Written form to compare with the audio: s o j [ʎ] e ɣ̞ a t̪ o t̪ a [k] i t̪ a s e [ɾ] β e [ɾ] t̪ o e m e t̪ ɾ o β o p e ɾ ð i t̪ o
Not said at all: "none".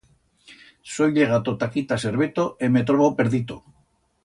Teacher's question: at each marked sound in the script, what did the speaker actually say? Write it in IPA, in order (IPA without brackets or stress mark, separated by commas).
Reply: ʎ, k, ɾ, none